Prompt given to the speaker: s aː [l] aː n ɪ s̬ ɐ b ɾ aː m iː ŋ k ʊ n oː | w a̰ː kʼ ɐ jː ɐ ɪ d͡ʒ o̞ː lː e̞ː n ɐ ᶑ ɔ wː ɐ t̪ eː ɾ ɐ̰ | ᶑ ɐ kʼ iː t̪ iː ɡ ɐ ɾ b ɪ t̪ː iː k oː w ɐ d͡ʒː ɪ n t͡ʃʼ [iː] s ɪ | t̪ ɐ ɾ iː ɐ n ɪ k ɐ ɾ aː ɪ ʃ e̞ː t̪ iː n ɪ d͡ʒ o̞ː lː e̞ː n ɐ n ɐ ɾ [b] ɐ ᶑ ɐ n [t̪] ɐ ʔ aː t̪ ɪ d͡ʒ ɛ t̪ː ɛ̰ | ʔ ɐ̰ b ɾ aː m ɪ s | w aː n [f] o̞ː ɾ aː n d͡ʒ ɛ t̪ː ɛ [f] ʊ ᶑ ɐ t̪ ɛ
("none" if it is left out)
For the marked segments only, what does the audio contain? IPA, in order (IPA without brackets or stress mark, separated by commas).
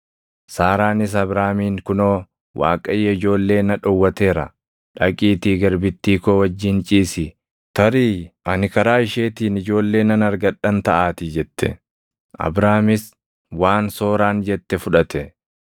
ɾ, iː, ɡ, t̪, s, f